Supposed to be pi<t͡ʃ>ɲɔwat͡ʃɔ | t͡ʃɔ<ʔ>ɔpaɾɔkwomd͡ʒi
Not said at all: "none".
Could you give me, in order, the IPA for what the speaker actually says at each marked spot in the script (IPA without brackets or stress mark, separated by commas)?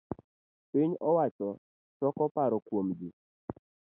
none, k